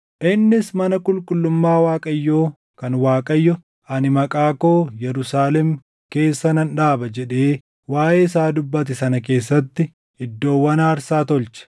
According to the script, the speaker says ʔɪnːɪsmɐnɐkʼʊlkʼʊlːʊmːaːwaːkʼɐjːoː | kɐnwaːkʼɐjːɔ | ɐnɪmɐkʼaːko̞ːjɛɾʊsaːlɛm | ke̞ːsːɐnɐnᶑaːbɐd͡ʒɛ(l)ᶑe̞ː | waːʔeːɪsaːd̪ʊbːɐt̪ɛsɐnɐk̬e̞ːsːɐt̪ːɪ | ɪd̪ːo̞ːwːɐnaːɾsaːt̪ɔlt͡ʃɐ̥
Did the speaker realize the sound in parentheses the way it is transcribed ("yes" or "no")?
no